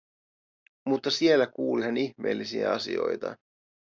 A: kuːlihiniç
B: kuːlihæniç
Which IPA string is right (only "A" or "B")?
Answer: B